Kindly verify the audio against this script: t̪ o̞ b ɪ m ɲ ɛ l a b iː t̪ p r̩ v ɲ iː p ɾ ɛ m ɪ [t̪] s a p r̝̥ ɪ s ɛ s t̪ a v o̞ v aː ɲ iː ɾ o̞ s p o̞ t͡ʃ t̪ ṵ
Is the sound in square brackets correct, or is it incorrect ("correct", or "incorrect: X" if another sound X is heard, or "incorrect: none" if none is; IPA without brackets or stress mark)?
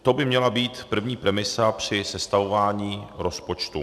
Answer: incorrect: none